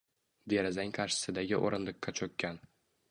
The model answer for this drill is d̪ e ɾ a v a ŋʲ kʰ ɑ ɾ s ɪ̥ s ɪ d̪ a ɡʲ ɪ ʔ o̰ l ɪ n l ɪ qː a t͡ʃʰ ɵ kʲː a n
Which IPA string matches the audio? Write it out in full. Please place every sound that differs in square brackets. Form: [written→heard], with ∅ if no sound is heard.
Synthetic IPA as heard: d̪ e ɾ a [v→z] a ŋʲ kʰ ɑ ɾ [s→ʃ] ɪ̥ s ɪ d̪ a ɡʲ ɪ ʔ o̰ [l→ɾ] ɪ n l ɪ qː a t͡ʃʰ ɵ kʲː a n